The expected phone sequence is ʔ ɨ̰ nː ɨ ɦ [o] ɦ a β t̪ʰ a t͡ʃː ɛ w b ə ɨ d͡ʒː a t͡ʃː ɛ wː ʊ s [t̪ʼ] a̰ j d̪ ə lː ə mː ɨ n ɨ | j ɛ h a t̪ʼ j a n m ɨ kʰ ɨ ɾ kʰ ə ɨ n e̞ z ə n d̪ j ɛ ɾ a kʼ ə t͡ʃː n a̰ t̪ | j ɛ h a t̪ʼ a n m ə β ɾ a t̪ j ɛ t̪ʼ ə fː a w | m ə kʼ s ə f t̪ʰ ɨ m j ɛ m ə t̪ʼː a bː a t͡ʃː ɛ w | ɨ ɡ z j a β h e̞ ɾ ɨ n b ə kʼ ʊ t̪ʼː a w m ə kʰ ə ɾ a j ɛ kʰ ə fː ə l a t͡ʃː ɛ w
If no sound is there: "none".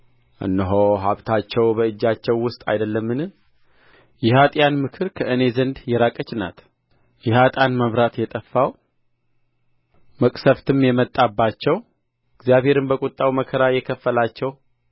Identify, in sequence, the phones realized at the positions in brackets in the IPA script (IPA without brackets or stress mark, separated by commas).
o, t̪ʼ